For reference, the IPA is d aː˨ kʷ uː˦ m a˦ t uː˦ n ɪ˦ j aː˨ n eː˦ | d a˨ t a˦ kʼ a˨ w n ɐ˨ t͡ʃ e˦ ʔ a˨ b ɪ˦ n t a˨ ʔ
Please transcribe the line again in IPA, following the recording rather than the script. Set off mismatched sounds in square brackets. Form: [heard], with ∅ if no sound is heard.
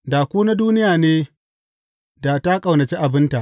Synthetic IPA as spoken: d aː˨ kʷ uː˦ [n] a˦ [d] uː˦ n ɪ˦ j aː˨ n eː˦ | d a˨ t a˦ kʼ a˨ w n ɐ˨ t͡ʃ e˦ ʔ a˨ b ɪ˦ n t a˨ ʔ

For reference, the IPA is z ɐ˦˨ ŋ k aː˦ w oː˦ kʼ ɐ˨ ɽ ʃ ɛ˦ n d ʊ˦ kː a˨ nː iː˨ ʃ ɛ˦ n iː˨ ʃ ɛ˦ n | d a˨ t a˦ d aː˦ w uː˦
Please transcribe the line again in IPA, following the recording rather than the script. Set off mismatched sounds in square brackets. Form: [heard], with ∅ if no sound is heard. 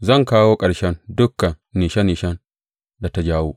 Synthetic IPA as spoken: z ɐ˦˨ ŋ k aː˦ w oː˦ kʼ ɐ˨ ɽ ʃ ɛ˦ n d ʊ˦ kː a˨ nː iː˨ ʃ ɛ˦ n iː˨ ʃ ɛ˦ n | d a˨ t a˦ [d͡ʒ] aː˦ w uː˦

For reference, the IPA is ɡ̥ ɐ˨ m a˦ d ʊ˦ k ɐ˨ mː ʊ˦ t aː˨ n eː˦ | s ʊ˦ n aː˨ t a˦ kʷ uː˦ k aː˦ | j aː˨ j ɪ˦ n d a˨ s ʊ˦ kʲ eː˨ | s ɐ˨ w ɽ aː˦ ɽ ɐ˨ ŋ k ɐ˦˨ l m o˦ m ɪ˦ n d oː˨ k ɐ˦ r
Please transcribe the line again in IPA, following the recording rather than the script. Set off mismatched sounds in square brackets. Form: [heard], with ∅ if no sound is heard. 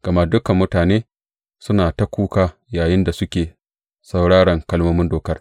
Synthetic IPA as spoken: ɡ̥ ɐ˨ m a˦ d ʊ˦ k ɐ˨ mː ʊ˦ t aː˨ n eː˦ | s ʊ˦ n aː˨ t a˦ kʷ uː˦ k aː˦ | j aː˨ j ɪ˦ n d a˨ s ʊ˦ kʲ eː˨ | s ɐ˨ w ɽ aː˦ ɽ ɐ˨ ŋ k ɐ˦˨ l m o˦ m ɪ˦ n d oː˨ k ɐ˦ r

